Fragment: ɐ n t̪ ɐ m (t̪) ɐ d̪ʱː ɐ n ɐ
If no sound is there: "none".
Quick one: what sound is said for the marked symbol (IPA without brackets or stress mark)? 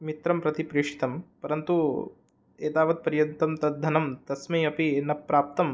t̪